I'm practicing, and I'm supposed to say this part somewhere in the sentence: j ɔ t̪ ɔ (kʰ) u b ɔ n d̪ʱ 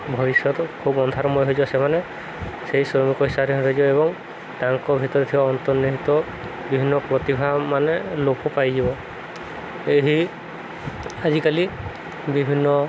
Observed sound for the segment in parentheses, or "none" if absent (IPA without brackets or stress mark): kʰ